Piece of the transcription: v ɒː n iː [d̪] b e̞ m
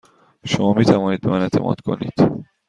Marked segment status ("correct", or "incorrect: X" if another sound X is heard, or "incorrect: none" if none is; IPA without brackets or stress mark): correct